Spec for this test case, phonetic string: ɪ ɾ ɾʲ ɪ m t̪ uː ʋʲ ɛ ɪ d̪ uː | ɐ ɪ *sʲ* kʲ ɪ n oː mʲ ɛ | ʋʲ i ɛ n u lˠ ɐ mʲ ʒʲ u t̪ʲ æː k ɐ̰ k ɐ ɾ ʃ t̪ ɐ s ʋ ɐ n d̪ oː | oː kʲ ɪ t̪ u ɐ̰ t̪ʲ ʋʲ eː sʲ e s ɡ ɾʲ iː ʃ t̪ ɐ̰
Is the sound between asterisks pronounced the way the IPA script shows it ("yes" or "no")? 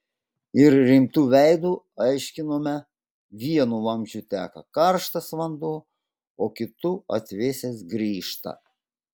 no